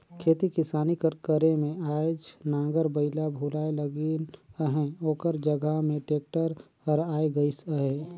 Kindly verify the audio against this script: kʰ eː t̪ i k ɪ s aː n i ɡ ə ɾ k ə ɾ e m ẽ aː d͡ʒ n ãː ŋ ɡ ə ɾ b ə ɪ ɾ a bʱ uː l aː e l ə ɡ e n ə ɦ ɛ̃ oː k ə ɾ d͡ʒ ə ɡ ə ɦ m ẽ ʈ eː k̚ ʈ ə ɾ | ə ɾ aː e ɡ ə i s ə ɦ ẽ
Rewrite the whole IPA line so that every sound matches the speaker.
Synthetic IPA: kʰ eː t̪ i k ɪ s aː n i k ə ɾ k ə ɾ e m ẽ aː d͡ʒ n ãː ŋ ɡ ə ɾ b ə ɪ l a bʱ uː l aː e l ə ɡ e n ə ɦ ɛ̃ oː k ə ɾ d͡ʒ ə ɡ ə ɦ m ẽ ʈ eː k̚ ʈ ə ɾ | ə ɾ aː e ɡ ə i s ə ɦ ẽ